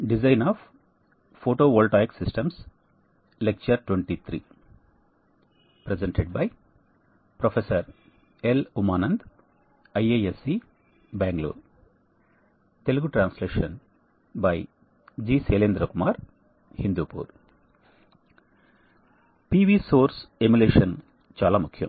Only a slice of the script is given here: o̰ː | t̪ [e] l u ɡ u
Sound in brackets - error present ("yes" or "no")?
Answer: no